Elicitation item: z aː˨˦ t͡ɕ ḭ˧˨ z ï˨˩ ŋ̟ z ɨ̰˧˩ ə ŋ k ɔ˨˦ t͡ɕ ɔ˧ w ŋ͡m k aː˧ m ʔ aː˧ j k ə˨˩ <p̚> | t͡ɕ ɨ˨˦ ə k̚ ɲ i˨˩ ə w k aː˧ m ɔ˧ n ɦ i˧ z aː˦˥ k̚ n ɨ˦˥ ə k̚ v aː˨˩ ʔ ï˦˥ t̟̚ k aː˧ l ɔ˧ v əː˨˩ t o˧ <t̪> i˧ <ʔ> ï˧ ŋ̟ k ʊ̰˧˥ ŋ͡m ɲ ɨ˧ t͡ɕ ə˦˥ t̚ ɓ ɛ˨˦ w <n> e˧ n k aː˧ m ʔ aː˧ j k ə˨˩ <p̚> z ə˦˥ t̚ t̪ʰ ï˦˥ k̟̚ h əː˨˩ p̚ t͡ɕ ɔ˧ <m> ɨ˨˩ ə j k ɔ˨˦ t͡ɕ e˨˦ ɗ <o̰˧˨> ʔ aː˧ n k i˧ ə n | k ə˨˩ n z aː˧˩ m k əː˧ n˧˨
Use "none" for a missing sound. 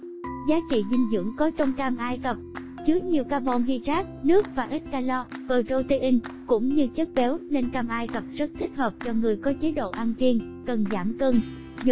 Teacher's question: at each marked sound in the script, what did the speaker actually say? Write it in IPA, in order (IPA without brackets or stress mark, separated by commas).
p̚, t̪, ʔ, n, p̚, ŋ, o̰˧˨